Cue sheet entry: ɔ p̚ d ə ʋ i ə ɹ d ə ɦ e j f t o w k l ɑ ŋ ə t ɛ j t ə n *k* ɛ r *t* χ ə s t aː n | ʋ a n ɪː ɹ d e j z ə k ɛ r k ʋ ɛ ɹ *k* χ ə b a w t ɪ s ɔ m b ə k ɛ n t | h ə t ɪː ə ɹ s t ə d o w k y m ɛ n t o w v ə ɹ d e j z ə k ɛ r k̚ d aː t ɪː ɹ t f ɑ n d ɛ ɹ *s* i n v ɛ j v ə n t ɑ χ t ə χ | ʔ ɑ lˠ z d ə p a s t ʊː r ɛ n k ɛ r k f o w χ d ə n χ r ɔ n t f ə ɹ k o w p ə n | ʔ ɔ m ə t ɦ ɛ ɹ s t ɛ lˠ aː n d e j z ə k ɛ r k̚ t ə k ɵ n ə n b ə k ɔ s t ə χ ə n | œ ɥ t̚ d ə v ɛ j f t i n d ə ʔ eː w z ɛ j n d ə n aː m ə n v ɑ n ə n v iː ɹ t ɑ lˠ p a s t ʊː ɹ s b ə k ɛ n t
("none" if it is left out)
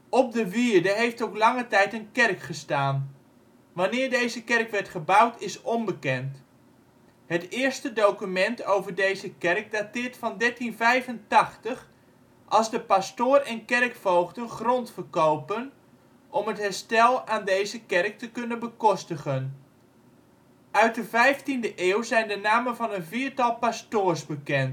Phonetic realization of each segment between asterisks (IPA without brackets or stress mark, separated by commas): k, k, t, t